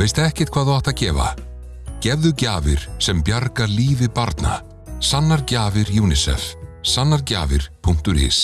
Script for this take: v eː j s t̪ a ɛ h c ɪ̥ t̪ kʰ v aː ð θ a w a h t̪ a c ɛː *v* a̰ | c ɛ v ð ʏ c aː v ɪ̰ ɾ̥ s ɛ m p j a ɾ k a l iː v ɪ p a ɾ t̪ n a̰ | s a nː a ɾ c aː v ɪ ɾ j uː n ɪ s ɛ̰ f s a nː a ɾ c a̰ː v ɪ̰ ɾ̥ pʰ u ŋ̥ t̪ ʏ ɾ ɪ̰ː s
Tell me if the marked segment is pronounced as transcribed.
yes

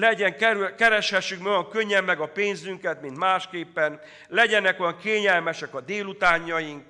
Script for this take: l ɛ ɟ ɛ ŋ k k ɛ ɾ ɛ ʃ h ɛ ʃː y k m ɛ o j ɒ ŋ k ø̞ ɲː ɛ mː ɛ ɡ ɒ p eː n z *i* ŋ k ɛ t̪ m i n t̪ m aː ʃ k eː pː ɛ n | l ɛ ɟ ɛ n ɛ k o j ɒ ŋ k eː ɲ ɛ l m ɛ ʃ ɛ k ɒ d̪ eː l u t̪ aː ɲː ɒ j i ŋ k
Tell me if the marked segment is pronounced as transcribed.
no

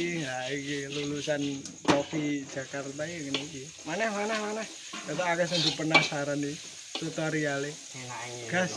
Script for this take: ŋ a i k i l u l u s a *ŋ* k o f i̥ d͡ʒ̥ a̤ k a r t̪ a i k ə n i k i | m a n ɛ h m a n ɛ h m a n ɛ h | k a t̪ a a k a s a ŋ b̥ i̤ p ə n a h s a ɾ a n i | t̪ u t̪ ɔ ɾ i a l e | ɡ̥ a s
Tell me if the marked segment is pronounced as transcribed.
no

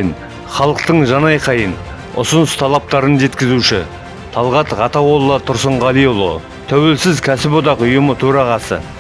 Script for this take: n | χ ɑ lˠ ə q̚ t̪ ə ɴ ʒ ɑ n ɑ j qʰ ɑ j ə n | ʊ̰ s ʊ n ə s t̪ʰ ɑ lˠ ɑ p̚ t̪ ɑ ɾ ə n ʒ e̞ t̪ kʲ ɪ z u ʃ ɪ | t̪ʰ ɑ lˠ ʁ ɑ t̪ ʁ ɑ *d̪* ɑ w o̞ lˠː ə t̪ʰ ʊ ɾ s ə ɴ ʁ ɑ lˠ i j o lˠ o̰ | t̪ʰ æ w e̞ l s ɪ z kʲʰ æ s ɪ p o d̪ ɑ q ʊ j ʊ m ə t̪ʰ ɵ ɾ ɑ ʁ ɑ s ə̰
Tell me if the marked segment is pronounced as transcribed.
no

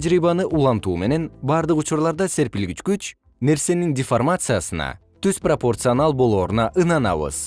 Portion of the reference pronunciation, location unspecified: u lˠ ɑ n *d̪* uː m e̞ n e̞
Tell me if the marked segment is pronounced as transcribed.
no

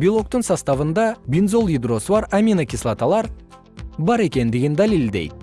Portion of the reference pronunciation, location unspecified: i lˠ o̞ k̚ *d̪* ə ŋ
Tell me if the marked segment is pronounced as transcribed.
no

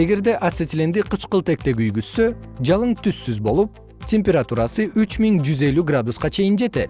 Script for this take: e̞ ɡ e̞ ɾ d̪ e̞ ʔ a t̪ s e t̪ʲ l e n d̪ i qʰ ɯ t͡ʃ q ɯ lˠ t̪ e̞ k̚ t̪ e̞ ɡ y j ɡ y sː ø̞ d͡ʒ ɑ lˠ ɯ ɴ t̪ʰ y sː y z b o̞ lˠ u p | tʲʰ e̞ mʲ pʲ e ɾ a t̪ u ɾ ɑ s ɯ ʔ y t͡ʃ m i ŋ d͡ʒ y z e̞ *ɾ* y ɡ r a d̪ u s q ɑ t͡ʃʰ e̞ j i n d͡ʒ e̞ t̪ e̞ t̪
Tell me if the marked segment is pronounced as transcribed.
no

